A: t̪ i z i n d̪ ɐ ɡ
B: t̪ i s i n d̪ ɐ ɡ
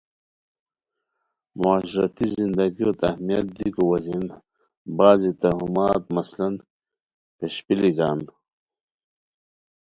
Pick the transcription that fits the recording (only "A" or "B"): A